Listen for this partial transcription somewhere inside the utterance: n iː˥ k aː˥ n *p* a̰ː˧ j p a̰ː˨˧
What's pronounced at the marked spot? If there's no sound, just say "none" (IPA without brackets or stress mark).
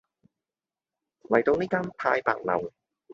pʰ